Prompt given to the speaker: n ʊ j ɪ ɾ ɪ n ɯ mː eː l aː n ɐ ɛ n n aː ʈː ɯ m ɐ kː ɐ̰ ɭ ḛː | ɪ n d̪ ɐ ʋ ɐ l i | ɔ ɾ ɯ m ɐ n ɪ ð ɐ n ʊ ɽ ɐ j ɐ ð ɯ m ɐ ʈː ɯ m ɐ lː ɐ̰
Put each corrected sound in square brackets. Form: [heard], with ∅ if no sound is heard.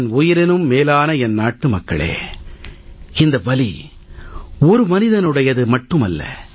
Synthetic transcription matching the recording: n ʊ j ɪ ɾ ɪ n ɯ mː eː l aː n ɐ ɛ n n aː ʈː ɯ m ɐ kː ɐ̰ ɭ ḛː | ɪ n d̪ ɐ ʋ ɐ l i | ɔ ɾ ɯ m ɐ n ɪ ð ɐ n [ɯ] ɽ ɐ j ɐ ð ɯ m ɐ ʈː ɯ m ɐ lː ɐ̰